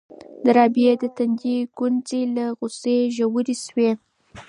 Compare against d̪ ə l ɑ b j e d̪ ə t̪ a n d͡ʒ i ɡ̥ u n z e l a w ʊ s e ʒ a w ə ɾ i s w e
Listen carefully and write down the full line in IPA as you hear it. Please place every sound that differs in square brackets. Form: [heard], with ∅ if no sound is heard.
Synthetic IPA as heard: d̪ ə [ɾ] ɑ b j e d̪ ə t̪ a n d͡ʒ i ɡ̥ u n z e l a [ɣ] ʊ s e ʒ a w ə ɾ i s w e